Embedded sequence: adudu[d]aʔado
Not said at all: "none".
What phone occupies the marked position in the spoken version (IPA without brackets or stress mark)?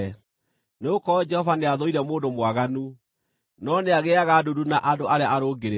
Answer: n